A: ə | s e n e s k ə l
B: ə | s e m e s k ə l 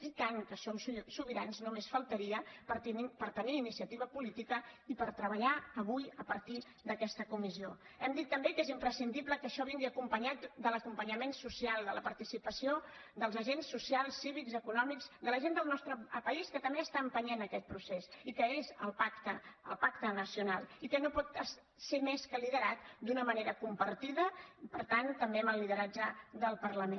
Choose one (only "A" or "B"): B